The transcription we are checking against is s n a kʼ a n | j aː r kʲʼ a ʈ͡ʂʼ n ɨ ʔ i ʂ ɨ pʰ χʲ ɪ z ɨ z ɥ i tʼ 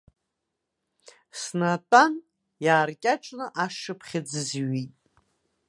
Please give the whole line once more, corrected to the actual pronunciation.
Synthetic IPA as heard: s n a tʼ a n | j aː r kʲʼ a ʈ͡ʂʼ n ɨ ʔ a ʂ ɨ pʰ χʲ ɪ d͡z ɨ z ɥ i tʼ